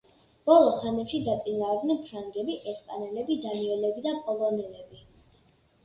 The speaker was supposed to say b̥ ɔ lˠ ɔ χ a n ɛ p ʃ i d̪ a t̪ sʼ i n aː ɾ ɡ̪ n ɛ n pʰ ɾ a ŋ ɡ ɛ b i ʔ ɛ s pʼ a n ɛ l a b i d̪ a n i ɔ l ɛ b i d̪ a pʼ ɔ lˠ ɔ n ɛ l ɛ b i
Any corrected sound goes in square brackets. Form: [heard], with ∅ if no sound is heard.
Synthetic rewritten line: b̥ ɔ lˠ ɔ χ a n ɛ p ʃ i d̪ a t̪ sʼ i n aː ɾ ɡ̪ n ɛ n pʰ ɾ a ŋ ɡ ɛ b i ʔ ɛ s pʼ a n ɛ l [ɛ] b i d̪ a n i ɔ l ɛ b i d̪ a pʼ ɔ lˠ ɔ n ɛ l ɛ b i